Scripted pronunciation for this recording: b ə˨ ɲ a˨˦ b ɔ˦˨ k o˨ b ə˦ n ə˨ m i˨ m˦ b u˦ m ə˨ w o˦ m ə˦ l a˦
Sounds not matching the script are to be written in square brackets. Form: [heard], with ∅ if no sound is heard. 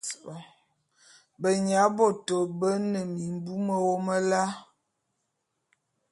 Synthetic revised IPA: b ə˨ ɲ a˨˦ b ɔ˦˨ [t] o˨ b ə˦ n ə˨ m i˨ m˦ b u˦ m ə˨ w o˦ m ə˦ l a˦